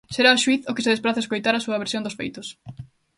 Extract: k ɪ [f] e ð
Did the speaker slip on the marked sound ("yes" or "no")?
yes